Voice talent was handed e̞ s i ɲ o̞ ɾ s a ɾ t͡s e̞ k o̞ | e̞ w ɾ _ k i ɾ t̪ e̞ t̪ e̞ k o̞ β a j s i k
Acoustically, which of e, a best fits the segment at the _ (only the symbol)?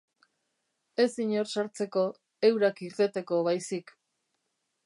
a